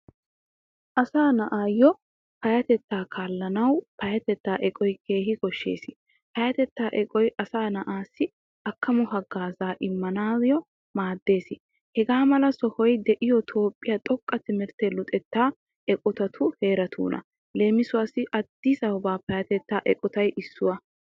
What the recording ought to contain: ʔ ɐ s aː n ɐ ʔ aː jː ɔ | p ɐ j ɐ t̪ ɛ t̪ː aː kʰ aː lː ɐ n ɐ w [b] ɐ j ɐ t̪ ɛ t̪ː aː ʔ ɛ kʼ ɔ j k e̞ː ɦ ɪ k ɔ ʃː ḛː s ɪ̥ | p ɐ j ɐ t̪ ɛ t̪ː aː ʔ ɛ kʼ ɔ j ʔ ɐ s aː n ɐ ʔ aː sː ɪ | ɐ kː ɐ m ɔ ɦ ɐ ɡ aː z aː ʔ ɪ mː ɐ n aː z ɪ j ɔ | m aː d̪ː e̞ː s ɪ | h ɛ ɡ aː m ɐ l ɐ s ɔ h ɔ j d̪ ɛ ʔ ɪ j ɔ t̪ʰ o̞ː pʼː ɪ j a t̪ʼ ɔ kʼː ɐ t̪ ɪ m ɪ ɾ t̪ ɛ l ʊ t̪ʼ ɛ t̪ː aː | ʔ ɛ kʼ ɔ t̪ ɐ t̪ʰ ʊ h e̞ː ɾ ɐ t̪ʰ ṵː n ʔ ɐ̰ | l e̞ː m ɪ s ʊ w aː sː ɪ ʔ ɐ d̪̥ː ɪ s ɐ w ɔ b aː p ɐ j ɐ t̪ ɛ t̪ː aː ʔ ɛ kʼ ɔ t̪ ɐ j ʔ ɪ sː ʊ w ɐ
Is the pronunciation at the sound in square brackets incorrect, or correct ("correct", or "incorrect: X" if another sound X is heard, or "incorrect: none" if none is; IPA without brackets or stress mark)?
incorrect: p